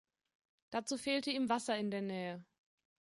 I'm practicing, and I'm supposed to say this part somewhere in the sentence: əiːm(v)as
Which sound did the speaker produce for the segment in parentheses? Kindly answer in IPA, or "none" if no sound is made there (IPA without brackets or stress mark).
v